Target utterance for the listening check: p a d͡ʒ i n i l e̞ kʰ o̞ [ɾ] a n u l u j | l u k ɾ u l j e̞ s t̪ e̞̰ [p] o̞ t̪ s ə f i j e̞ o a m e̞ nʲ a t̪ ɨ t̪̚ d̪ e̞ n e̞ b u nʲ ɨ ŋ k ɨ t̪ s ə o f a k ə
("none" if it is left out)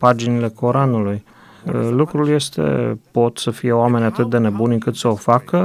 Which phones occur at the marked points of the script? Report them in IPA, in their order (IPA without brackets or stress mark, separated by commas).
ɾ, p